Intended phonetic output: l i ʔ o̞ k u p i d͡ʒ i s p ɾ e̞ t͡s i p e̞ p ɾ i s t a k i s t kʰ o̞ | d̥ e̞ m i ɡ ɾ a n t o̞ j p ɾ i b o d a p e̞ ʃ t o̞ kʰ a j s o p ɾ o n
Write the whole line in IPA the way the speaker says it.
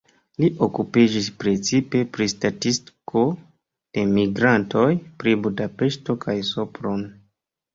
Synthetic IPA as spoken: l i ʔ o̞ k u p i d͡ʒ i s p ɾ e̞ t͡s i p e̞ p ɾ i s t a t i s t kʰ o̞ | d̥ e̞ m i ɡ ɾ a n t o̞ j p ɾ i b u d a p e̞ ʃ t o̞ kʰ a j s o p ɾ o n